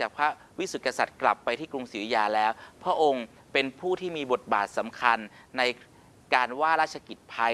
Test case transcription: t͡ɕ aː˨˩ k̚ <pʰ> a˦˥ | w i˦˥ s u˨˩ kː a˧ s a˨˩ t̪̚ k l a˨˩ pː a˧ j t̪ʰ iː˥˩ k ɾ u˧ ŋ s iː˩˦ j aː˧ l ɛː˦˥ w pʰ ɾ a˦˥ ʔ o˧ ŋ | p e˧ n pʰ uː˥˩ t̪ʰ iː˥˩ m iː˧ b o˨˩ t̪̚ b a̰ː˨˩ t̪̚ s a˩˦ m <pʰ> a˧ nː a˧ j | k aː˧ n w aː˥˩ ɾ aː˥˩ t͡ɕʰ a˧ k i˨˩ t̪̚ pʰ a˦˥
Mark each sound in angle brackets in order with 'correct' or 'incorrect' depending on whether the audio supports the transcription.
correct, incorrect: kʰ

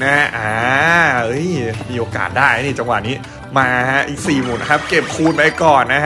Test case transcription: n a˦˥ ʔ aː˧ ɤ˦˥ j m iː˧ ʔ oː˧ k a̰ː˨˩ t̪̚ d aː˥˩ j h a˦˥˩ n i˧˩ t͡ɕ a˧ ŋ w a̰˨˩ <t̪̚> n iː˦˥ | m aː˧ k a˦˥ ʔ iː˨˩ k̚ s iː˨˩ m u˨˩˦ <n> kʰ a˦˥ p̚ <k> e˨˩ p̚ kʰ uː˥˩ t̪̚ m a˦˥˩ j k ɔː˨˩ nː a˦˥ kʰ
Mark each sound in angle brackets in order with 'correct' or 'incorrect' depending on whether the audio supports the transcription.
incorrect: none, correct, correct

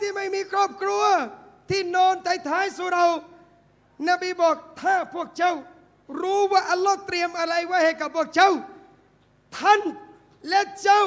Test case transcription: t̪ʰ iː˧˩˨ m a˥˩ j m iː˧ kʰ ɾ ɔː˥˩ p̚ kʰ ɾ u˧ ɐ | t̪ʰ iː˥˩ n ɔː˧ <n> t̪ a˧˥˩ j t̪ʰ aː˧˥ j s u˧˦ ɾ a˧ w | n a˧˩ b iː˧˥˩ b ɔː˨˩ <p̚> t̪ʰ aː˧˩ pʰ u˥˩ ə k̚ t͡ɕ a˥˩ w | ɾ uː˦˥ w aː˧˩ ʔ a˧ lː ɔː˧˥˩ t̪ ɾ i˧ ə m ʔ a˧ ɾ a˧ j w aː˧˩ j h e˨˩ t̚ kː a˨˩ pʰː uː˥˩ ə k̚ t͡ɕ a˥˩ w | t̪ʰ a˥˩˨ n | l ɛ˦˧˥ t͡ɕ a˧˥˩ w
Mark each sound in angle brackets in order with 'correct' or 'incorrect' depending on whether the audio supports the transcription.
correct, incorrect: k̚

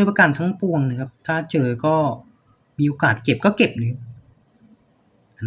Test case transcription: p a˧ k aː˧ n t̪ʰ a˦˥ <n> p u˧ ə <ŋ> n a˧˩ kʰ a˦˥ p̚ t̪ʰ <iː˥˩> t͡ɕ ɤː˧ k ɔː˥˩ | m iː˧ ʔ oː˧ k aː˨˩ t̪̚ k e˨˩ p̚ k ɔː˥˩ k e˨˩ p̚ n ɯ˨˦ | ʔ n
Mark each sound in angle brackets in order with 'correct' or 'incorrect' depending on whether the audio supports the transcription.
incorrect: ŋ, correct, incorrect: aː˥˩

